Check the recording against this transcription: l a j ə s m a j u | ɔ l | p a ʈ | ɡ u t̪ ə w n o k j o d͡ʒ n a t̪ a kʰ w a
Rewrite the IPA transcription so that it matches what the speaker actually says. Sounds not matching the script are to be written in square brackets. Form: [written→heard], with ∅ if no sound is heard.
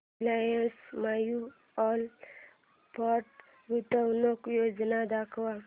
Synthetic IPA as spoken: l a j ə s m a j u | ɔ l | p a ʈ | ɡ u t̪ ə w n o k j o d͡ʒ n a [t̪→d̪] a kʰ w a